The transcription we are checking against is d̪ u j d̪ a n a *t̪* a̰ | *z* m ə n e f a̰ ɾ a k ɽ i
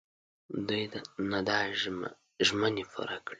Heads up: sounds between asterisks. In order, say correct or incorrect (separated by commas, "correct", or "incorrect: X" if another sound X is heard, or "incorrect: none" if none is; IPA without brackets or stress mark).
incorrect: d̪, incorrect: ʒ